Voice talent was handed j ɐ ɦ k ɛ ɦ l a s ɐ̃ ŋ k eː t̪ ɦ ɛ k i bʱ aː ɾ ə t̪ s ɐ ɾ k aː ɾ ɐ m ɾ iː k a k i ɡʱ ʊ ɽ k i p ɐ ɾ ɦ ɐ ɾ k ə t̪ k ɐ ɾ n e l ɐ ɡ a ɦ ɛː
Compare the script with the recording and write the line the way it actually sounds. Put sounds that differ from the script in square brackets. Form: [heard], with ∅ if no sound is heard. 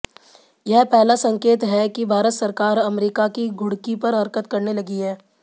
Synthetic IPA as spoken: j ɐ ɦ [p] ɛ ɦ l a s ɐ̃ ŋ k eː t̪ ɦ ɛ k i bʱ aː ɾ ə t̪ s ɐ ɾ k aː ɾ ɐ m ɾ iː k a k i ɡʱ ʊ ɽ k i p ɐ ɾ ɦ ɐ ɾ k ə t̪ k ɐ ɾ n e l ɐ ɡ [i] ɦ ɛː